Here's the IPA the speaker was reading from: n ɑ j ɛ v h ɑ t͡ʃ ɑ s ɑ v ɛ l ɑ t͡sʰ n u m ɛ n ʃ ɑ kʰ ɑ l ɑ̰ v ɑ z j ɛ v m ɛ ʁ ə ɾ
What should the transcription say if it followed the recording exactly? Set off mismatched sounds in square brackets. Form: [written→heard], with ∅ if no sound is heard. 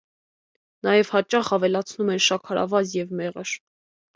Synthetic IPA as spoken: n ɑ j ɛ v h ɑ t͡ʃ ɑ [s→χ] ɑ v ɛ l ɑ t͡sʰ n u m ɛ n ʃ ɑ kʰ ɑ [l→ɾ] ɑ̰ v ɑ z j ɛ v m ɛ ʁ ə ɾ